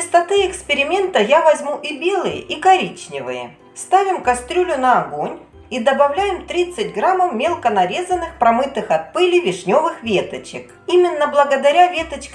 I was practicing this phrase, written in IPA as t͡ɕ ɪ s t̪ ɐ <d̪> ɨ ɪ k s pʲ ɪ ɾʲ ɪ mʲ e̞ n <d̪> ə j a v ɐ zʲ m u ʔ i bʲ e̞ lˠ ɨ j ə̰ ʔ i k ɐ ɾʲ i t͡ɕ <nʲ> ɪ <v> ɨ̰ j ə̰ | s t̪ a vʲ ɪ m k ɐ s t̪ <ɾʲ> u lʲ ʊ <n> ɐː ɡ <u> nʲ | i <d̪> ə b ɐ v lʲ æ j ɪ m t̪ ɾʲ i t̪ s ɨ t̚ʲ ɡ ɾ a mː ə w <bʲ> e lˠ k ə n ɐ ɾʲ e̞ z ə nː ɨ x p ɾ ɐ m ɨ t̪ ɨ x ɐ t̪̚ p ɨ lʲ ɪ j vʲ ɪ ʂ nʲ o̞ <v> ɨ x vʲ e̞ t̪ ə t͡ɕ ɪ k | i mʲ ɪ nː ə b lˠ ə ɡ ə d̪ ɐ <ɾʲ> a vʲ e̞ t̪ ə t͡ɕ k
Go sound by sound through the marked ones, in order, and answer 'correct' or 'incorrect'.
incorrect: t̪, incorrect: t̪, correct, correct, correct, correct, incorrect: o, correct, incorrect: mʲ, correct, correct

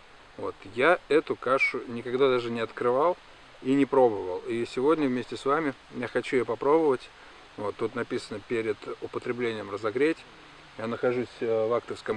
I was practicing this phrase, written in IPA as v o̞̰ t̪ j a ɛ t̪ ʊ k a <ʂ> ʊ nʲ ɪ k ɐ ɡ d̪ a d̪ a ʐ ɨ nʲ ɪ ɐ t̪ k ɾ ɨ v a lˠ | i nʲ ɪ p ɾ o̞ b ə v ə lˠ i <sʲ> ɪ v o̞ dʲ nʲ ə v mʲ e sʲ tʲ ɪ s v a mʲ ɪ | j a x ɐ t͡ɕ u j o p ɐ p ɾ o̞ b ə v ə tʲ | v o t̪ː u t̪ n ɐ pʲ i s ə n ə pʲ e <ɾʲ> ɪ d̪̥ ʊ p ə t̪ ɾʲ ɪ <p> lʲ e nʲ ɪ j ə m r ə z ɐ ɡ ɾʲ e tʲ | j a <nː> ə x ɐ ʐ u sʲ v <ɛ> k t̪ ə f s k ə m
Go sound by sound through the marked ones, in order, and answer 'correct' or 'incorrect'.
correct, correct, correct, incorrect: b, incorrect: n, incorrect: a

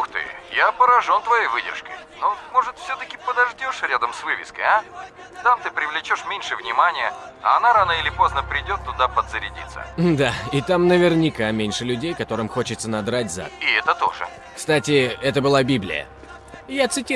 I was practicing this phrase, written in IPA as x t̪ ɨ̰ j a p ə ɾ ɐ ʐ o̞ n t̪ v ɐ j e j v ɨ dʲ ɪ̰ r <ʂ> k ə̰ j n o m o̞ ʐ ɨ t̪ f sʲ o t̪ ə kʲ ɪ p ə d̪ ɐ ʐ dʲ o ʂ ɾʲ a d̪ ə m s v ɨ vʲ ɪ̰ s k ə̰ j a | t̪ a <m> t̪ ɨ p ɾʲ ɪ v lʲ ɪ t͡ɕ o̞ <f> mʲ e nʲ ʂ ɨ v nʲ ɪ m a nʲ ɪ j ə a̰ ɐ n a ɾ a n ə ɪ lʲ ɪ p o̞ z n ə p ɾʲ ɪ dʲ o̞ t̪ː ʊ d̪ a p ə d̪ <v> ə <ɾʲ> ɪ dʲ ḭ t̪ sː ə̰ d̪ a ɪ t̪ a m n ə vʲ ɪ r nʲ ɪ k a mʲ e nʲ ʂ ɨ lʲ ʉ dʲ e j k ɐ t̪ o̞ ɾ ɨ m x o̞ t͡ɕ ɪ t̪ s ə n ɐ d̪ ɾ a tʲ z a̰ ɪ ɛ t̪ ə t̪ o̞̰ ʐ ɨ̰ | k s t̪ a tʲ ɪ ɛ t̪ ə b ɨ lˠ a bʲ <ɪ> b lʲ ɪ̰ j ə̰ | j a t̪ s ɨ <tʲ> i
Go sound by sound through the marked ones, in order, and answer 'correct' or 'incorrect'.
correct, correct, incorrect: ʂ, incorrect: z, correct, incorrect: i, correct

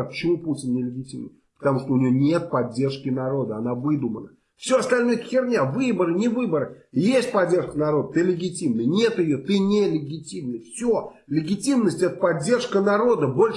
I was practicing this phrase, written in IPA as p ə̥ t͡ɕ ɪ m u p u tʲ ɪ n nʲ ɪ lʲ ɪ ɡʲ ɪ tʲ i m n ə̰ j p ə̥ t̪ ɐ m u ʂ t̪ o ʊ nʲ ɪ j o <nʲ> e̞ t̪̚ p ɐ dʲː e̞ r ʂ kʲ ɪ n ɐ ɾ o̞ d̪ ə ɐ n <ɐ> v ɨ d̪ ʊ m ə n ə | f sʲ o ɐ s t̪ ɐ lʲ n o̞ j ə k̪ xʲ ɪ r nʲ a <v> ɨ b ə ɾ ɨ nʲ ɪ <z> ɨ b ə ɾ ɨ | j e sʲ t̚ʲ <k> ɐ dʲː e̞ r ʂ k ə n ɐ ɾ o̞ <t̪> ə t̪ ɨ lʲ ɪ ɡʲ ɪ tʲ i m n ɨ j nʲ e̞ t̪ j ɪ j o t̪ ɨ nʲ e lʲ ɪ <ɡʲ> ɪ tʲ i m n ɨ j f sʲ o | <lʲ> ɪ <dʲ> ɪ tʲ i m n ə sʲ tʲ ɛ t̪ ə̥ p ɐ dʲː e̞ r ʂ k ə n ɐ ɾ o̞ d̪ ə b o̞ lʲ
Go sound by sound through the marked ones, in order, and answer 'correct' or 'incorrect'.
correct, incorrect: a, correct, incorrect: v, incorrect: p, incorrect: d̪, correct, correct, incorrect: ɡʲ

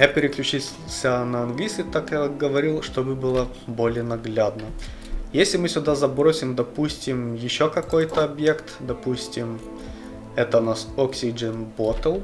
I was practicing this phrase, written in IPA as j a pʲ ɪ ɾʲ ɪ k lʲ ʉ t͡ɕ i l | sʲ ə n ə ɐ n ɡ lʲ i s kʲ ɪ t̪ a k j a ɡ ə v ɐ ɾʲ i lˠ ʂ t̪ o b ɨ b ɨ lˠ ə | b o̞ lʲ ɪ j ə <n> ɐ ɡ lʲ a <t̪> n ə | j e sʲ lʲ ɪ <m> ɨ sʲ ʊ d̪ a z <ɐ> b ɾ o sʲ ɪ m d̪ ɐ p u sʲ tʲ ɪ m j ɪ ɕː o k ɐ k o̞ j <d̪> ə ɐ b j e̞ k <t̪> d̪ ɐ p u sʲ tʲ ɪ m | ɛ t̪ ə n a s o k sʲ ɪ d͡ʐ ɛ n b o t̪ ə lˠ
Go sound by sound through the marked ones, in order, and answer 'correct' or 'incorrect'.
correct, incorrect: d̪, correct, correct, incorrect: t̪, correct

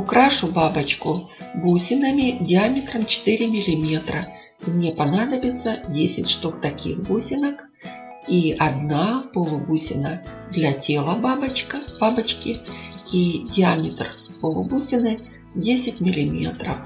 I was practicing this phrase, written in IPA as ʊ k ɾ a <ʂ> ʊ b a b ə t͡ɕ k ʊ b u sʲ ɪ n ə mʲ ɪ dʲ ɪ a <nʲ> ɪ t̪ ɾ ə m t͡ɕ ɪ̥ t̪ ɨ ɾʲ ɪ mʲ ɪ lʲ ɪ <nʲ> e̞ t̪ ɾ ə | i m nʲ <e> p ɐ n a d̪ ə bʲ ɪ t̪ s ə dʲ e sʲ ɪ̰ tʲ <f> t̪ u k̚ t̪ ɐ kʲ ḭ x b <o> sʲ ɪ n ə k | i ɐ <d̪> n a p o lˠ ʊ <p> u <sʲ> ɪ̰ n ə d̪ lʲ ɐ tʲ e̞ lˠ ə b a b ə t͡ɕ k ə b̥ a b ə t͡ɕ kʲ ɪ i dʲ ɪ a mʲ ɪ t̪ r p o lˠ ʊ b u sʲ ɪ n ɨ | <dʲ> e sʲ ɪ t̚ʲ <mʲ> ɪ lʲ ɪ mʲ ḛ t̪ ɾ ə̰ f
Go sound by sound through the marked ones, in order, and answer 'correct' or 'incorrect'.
correct, incorrect: mʲ, incorrect: mʲ, correct, incorrect: ʂ, incorrect: u, correct, incorrect: b, correct, correct, correct

